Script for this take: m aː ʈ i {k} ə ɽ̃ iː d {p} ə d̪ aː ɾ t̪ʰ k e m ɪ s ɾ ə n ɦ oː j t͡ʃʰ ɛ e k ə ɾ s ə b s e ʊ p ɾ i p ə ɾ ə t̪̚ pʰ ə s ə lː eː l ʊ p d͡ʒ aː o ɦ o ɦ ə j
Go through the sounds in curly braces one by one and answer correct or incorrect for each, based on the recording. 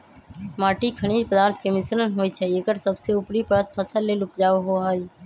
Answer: incorrect, correct

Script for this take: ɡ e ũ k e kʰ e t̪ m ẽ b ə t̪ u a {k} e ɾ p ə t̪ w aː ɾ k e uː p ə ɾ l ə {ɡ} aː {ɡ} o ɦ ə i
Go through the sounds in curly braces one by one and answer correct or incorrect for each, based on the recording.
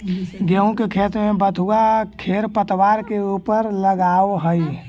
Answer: incorrect, correct, incorrect

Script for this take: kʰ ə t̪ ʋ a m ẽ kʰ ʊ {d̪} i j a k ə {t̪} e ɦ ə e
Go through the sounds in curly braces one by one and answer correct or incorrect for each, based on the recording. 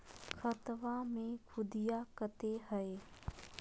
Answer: correct, correct

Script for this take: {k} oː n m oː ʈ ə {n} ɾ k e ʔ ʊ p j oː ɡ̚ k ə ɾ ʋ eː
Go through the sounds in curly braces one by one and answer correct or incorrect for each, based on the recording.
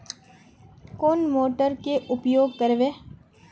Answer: correct, incorrect

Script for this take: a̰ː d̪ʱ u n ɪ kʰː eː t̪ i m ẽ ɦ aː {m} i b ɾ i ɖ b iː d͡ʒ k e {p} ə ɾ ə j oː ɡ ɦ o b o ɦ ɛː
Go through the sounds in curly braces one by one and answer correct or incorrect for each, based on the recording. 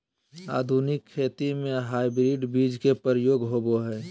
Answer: incorrect, correct

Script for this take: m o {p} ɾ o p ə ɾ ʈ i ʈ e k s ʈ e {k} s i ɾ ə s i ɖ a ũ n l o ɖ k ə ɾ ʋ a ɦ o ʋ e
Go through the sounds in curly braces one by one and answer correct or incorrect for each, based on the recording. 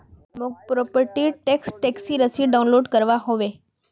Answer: correct, correct

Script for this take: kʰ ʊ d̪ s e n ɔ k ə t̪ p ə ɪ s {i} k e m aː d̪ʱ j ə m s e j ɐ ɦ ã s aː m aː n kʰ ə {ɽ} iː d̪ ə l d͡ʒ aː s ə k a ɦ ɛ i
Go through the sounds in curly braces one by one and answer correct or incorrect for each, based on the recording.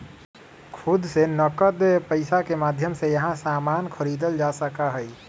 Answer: incorrect, incorrect

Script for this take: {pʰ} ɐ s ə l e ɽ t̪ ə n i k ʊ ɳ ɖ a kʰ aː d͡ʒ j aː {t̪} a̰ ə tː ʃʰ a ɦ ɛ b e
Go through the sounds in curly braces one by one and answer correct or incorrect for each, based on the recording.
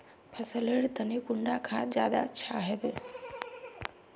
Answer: correct, incorrect

